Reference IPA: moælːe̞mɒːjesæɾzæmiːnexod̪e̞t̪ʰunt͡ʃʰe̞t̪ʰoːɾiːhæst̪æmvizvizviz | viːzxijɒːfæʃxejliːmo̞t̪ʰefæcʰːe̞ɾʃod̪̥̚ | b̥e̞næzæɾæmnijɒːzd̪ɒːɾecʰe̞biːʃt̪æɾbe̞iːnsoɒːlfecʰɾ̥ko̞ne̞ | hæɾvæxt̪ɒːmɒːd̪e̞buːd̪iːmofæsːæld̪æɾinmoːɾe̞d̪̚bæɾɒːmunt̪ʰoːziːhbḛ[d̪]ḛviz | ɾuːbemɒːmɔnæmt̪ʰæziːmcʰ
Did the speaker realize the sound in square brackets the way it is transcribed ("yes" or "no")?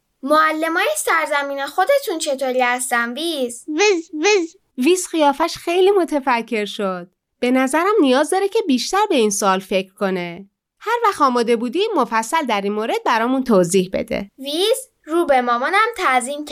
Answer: yes